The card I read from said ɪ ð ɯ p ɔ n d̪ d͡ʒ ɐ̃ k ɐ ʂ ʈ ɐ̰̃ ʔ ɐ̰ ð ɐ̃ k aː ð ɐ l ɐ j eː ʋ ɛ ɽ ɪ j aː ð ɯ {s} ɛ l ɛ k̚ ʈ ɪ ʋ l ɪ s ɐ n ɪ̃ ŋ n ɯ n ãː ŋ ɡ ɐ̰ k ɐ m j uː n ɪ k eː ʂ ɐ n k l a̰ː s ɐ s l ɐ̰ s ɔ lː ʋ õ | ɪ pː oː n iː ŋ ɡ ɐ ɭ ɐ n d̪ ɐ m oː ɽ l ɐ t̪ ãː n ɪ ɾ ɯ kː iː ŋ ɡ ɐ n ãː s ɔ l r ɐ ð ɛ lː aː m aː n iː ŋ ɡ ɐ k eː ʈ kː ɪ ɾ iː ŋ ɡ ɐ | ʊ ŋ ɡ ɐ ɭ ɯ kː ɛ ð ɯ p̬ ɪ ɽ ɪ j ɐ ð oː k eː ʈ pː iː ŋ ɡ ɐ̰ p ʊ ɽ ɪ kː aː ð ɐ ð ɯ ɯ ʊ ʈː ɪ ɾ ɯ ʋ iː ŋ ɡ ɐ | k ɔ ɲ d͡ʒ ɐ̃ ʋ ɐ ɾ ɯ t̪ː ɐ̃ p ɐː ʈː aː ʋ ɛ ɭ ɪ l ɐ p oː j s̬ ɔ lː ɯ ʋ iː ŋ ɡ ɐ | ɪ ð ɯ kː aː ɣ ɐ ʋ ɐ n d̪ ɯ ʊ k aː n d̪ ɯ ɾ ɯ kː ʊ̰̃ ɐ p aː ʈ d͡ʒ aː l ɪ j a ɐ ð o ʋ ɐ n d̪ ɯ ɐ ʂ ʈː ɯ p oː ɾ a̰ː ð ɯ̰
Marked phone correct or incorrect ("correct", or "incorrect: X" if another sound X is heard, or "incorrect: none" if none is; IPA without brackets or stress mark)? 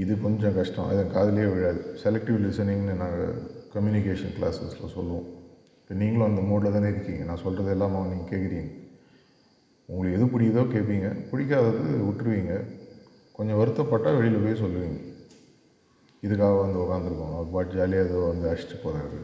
correct